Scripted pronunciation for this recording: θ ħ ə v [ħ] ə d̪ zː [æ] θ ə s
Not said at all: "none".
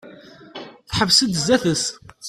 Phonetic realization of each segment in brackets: s, æ

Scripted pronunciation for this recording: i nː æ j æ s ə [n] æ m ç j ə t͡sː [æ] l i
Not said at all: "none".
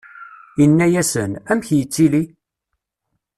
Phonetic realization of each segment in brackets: n, i

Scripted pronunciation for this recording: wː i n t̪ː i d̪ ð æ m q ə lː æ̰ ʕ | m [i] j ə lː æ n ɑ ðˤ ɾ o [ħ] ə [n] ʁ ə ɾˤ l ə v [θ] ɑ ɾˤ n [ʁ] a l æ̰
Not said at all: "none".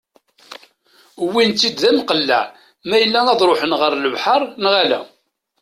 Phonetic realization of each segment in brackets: æ, ħ, n, ħ, ʁ

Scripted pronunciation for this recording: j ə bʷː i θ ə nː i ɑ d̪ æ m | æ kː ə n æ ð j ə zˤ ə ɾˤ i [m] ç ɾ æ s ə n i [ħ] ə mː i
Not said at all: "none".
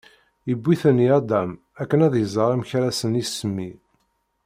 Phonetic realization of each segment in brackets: m, s

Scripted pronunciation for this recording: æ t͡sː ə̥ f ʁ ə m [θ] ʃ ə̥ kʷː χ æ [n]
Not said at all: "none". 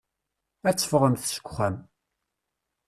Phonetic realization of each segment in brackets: θ, m

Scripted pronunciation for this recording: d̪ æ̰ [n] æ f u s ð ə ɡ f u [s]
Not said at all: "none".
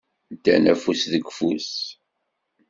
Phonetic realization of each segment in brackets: n, s

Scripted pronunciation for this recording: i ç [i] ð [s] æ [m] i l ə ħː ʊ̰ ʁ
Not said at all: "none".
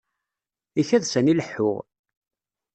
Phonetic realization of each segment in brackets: æ, s, n

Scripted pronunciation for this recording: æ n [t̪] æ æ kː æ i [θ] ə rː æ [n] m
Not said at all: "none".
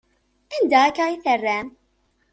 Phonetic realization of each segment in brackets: d̪, θ, none

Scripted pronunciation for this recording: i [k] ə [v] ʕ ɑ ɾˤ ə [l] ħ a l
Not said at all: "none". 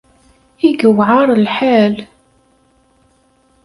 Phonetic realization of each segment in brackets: ɡ, w, l

